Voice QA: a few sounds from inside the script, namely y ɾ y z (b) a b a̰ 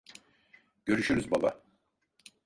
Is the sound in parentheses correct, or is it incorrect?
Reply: correct